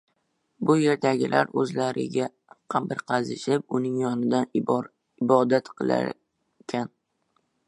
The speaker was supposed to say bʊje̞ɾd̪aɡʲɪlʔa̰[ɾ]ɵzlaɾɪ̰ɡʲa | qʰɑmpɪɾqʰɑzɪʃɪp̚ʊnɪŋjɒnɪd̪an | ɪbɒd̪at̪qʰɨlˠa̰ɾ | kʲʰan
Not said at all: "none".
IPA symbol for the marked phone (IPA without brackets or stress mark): ɾ